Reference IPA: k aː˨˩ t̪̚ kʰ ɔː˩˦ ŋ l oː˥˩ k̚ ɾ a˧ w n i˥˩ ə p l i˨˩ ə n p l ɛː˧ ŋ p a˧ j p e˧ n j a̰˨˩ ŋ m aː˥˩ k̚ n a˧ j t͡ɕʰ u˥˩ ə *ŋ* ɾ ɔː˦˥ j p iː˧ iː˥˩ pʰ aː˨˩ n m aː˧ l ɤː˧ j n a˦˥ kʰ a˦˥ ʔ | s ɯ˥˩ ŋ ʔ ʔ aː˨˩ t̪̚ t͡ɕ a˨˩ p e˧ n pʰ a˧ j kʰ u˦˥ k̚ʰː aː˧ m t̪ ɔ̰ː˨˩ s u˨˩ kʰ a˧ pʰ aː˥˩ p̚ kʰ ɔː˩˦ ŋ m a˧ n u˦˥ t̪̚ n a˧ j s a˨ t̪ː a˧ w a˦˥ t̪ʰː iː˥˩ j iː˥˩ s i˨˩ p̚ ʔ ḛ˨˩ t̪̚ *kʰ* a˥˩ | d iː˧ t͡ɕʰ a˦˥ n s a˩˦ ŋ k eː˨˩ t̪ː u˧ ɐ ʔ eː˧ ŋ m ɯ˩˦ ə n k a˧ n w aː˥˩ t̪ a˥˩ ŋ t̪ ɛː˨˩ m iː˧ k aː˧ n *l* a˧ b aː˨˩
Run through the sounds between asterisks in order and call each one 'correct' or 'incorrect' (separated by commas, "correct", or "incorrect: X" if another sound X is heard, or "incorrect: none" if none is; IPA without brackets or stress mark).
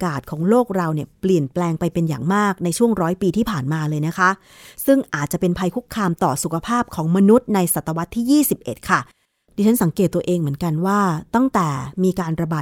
correct, correct, incorrect: ɾ